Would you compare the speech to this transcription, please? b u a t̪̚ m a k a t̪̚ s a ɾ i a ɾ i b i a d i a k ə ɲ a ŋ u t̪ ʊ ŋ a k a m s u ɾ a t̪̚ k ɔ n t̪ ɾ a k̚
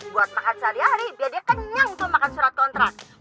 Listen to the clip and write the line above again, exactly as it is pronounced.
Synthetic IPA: b u a t̪̚ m a k a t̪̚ s a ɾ i a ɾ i b i a d i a k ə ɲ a ŋ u t̪ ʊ m a k a n s u ɾ a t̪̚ k ɔ n t̪ ɾ a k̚